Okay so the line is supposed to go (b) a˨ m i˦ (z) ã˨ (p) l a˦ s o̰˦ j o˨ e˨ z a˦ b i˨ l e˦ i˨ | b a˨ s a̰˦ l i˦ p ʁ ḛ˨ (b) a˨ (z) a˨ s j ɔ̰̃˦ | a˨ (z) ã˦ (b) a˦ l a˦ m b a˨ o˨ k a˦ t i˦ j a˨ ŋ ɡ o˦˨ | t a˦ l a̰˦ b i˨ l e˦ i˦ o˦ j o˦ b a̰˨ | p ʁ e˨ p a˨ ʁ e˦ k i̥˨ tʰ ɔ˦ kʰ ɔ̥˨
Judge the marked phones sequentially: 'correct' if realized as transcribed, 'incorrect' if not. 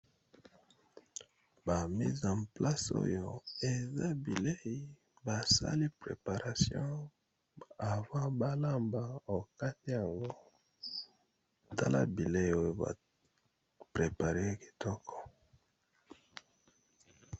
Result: correct, correct, correct, incorrect: p, incorrect: ʁ, incorrect: v, correct

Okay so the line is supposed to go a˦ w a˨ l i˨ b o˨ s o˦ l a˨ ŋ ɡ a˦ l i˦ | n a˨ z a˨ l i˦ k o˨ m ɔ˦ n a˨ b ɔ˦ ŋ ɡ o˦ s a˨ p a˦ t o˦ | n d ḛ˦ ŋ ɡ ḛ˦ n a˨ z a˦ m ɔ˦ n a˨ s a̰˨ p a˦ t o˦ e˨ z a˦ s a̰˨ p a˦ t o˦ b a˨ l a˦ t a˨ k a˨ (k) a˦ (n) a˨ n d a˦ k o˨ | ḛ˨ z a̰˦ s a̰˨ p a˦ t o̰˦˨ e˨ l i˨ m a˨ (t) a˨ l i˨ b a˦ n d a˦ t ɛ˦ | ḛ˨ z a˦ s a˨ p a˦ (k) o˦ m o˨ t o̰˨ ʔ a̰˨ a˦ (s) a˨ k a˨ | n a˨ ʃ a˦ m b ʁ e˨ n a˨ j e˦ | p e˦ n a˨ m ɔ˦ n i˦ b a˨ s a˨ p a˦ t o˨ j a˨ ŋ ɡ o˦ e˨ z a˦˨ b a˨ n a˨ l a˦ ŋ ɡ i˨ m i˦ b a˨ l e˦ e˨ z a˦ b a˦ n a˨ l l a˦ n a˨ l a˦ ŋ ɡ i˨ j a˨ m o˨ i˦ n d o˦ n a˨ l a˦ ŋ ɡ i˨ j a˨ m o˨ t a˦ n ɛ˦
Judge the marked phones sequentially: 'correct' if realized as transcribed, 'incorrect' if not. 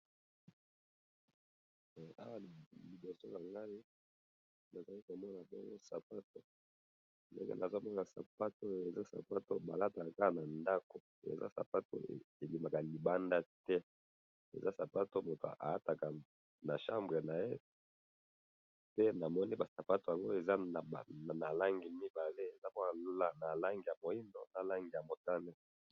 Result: correct, correct, incorrect: k, incorrect: t, incorrect: t

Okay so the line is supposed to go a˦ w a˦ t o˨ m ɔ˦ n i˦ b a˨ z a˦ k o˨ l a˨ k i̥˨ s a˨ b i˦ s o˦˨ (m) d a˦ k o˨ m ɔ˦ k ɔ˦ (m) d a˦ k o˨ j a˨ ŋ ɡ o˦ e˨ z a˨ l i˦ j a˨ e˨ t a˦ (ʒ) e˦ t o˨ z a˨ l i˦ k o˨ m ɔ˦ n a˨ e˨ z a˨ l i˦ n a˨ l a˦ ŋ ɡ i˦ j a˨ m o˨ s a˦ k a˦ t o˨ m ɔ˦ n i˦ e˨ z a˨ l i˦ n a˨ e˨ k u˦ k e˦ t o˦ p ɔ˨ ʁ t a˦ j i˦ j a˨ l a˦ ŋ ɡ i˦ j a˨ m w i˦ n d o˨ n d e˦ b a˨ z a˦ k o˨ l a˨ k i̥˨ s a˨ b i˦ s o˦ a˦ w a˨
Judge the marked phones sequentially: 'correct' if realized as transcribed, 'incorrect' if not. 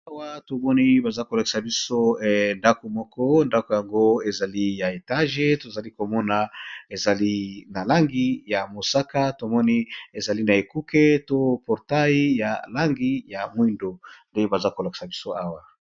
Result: incorrect: n, incorrect: n, correct

